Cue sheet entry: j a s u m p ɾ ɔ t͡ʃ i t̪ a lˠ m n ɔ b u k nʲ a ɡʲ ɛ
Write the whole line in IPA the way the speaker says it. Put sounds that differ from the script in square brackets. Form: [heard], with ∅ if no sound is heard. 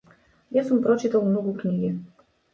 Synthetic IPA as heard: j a s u m p ɾ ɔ t͡ʃ i t̪ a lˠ m n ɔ [ɡ] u k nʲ [i] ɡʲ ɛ